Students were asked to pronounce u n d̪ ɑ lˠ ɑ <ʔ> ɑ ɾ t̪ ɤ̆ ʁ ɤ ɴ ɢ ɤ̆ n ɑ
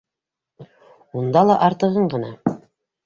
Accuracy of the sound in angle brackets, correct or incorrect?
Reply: correct